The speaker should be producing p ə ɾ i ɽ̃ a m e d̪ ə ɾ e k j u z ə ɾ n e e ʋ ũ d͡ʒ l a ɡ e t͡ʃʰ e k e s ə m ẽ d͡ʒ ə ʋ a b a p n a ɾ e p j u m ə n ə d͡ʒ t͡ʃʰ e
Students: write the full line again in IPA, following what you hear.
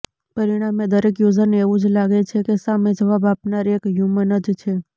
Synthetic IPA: p ə ɾ i ɽ̃ a m e d̪ ə ɾ e k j u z ə ɾ n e e ʋ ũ d͡ʒ l a ɡ e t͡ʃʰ e k e s a m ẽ d͡ʒ ə ʋ a b a p n a ɾ e k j u m ə n ə d͡ʒ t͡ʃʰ e